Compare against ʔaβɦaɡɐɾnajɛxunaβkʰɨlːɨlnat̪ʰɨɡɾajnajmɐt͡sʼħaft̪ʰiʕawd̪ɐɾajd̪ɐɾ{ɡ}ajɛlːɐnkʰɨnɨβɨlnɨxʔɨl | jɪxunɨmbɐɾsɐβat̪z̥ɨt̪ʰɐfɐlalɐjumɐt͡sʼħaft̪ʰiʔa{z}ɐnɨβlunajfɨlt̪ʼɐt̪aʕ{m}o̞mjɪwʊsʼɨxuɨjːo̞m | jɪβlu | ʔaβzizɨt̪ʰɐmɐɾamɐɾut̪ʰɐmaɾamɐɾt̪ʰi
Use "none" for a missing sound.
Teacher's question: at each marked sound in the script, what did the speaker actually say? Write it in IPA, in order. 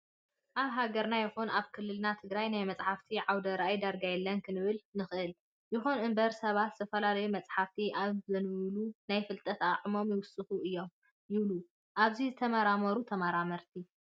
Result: ɡ, z, m

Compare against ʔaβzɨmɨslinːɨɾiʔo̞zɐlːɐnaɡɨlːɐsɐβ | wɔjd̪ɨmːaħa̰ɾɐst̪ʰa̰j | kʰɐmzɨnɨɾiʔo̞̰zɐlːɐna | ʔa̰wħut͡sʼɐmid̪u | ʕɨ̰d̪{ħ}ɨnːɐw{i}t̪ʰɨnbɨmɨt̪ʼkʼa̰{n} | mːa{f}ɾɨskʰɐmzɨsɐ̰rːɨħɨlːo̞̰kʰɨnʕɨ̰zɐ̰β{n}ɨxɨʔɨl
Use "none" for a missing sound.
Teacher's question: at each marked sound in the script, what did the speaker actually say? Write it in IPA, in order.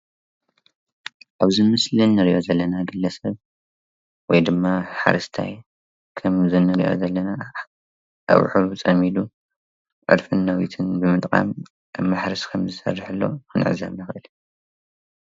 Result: f, i, m, ħ, n

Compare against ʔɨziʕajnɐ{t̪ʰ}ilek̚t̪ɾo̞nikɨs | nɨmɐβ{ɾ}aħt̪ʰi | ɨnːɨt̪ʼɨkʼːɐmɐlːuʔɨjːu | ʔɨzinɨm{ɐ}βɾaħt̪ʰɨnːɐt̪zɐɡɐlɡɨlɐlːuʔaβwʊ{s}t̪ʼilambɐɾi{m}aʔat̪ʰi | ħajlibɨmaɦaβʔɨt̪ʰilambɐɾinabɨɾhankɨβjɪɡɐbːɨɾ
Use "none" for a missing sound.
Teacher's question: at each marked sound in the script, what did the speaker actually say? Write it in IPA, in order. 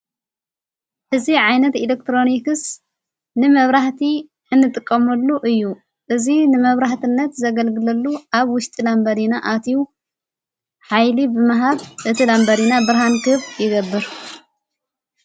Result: t̪, ɾ, ɐ, ʃ, n

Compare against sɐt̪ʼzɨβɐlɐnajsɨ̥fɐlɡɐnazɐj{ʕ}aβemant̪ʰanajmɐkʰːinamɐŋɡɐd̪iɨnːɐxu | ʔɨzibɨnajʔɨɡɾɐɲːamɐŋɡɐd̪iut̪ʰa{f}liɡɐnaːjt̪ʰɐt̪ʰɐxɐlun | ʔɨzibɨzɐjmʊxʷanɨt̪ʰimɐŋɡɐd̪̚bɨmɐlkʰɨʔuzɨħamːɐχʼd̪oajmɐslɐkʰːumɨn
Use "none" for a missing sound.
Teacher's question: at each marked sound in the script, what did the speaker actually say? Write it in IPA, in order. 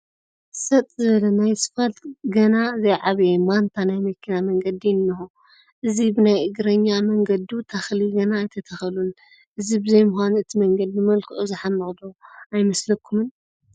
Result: ʕ, x

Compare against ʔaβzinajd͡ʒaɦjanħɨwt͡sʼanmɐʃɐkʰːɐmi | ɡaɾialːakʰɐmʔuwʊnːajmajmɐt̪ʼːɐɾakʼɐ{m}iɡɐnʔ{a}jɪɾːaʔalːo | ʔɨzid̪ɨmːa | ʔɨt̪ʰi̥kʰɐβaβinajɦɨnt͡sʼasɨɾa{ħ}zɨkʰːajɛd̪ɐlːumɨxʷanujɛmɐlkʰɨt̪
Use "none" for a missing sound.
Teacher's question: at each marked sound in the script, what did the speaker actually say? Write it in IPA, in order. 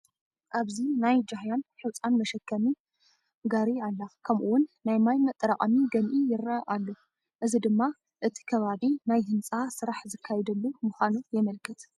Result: m, i, ħ

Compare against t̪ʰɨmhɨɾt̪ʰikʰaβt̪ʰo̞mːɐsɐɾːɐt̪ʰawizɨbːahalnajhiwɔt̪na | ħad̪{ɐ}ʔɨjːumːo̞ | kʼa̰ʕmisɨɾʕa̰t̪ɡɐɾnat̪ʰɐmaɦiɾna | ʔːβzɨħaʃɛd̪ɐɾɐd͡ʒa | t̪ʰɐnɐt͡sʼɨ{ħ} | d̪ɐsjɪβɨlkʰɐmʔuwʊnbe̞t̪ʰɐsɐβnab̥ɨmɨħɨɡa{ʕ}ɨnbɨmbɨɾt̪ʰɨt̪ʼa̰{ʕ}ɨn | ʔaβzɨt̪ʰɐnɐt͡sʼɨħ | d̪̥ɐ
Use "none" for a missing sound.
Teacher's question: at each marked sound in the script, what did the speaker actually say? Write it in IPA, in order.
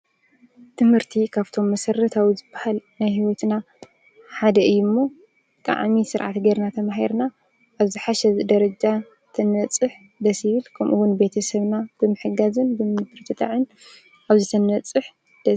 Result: ɐ, ħ, z, ʕ

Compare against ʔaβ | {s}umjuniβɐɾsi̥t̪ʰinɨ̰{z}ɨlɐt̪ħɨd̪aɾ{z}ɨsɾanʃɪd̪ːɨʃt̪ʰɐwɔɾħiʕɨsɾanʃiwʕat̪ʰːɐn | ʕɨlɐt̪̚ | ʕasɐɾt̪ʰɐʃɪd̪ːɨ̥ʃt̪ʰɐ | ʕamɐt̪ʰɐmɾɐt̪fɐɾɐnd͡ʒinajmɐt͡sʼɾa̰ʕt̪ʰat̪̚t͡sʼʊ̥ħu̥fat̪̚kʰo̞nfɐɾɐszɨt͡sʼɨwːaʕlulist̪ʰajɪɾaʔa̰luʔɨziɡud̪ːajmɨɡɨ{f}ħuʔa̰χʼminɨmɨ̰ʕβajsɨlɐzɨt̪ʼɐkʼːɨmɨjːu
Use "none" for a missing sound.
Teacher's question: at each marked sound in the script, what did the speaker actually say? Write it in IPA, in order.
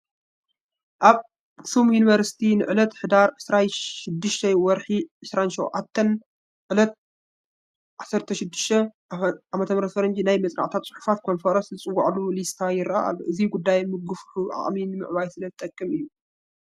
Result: s, ʕ, ʕ, f

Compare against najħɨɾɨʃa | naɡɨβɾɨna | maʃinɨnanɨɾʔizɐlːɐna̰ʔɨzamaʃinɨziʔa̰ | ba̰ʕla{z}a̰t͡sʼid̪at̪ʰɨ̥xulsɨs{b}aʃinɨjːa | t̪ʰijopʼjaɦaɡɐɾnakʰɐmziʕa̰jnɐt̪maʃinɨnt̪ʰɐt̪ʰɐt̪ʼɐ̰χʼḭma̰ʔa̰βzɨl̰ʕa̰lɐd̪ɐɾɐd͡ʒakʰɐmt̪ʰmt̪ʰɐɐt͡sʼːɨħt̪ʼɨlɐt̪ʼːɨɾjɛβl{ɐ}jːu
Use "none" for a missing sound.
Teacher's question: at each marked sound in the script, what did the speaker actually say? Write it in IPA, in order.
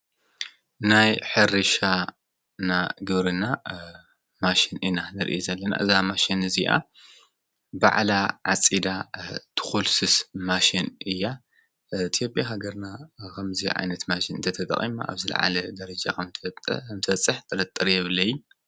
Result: ʕ, m, ɐ

